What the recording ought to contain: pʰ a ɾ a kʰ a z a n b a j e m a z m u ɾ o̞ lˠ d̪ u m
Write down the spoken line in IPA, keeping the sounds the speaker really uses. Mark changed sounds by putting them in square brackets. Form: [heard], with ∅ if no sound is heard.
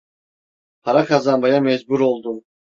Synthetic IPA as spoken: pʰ a ɾ a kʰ a z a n b a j [a] m [ɛ] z [b] u ɾ o̞ lˠ d̪ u m